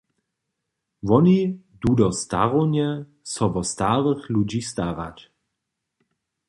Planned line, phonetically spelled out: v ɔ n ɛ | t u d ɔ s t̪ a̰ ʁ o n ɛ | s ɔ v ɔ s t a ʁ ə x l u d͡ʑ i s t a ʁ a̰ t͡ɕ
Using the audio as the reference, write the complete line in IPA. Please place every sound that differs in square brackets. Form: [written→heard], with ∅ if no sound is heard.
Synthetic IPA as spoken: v ɔ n [ɛ→i] | [t→d] u d ɔ s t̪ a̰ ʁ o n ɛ | s ɔ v ɔ s t a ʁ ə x l u d͡ʑ i s t a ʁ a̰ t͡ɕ